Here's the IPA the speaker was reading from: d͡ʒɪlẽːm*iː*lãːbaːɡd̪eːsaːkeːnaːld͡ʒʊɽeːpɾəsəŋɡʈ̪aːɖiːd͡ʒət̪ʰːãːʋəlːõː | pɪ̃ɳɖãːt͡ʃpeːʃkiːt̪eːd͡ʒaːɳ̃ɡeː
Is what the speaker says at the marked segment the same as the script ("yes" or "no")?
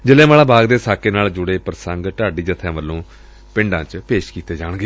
no